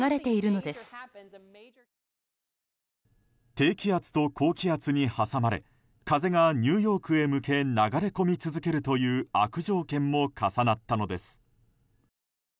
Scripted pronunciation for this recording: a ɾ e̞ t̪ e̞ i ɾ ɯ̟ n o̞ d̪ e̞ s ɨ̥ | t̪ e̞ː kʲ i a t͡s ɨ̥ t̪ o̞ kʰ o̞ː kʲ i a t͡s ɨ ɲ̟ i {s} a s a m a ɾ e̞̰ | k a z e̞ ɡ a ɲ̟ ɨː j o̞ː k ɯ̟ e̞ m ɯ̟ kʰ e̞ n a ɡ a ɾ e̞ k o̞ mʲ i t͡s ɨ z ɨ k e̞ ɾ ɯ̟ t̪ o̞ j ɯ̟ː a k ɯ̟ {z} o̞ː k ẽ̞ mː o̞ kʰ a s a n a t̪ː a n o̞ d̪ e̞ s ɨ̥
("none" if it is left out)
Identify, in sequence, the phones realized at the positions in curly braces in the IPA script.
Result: h, ʑ

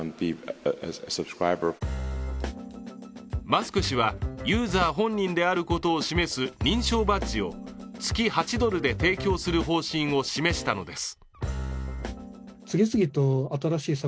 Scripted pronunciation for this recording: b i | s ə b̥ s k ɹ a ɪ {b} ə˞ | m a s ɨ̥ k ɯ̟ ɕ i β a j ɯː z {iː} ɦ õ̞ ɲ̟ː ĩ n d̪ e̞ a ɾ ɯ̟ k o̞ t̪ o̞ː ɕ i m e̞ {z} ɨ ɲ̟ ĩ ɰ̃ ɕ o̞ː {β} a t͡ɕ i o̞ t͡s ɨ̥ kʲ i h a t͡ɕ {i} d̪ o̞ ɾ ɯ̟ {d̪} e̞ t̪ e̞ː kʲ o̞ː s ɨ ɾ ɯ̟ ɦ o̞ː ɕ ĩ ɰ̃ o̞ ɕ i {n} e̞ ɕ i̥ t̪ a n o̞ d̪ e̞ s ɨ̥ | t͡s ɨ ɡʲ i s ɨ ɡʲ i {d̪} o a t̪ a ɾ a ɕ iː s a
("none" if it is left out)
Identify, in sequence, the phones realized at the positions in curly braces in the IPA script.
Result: b, aː, s, b, i, d̪, m, t̪

